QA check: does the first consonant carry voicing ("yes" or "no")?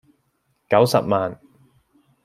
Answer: no